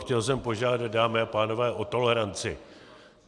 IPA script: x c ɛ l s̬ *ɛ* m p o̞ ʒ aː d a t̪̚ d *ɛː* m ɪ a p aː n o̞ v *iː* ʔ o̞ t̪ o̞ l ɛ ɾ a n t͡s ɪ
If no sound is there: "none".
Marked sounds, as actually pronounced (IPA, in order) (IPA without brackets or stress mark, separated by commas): ɛ, aː, ɛː